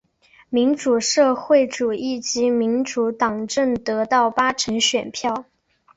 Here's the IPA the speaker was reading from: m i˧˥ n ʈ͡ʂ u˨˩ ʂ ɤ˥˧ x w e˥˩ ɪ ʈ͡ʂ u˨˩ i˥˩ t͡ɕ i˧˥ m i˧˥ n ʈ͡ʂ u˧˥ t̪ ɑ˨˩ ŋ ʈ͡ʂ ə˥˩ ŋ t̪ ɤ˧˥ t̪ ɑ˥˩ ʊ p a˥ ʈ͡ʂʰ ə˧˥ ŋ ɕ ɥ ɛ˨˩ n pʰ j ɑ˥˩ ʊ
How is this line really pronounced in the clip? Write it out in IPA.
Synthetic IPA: m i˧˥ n ʈ͡ʂ u˨˩ ʂ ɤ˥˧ x w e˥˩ ɪ ʈ͡ʂ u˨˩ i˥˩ t͡ɕ i˧˥ m i˧˥ n ʈ͡ʂ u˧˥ t̪ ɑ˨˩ ŋ ʈ͡ʂ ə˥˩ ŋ t̪ ɤ˧˥ t̪ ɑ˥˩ ʊ p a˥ ʈ͡ʂʰ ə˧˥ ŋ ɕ ɥ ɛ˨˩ n pʰ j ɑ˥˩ ʊ